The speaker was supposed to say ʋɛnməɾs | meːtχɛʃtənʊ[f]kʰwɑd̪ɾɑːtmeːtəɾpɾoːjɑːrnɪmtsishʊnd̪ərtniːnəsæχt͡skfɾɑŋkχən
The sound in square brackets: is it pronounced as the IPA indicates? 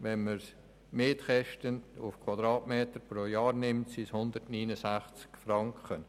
yes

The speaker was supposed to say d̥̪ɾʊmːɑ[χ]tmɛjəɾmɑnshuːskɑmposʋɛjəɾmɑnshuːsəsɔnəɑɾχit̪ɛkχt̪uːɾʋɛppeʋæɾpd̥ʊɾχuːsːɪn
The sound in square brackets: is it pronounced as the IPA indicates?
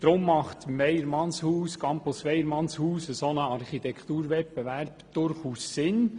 yes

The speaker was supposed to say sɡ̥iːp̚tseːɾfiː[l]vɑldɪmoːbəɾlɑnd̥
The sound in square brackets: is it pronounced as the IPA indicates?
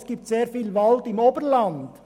yes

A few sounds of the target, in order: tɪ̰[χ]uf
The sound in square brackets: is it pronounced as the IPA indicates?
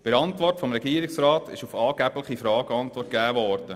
no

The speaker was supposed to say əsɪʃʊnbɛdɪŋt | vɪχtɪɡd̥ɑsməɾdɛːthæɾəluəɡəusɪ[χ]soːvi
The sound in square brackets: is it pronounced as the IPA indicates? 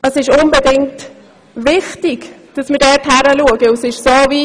no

